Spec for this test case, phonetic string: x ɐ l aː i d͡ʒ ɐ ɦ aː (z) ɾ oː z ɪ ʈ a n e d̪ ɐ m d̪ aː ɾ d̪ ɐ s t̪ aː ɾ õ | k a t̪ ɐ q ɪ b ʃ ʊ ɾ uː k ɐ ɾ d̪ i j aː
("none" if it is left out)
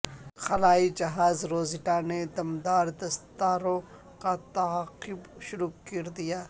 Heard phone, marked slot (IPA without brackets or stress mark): z